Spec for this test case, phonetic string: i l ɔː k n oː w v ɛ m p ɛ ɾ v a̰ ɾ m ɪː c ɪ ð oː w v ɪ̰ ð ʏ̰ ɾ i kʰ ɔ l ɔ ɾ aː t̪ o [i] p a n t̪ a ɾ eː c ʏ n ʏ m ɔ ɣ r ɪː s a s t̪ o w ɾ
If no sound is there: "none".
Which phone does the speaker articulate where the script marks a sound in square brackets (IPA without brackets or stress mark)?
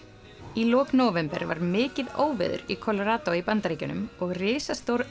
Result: i